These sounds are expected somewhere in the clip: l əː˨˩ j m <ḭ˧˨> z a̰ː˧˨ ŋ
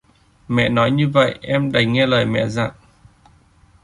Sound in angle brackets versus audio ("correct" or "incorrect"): incorrect